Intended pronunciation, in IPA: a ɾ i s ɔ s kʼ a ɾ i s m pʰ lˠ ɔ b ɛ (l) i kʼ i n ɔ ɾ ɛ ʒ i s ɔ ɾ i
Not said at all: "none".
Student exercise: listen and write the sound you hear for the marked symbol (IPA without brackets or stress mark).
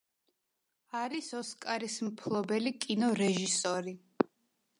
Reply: l